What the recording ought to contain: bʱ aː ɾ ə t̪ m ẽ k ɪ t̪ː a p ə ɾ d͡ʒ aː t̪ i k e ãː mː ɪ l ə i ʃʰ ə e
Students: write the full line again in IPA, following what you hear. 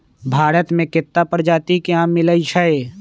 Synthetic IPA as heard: bʱ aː ɾ ə t̪ m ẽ k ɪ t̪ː a p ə ɾ d͡ʒ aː t̪ i k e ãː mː ɪ l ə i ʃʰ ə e